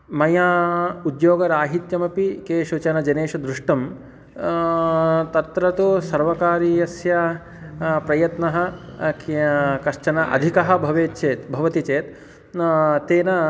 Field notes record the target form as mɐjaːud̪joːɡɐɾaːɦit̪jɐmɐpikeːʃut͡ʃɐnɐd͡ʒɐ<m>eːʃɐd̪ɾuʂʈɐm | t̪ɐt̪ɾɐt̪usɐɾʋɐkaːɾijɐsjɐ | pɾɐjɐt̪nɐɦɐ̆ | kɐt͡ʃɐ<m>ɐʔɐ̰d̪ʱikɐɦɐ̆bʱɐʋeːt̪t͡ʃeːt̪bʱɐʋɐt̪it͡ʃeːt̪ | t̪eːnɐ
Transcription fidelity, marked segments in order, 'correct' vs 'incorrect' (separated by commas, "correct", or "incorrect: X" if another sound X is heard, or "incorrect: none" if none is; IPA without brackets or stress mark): incorrect: n, incorrect: n